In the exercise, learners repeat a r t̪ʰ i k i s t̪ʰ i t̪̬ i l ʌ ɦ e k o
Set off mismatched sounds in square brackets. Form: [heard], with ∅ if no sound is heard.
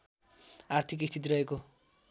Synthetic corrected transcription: a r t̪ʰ i k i s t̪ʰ i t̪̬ i [ɾ] ʌ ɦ e k o